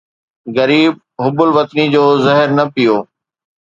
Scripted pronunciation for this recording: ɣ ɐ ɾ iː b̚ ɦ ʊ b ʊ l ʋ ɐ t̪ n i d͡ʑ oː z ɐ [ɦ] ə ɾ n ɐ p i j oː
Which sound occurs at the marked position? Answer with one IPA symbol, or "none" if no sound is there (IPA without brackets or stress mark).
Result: ɦ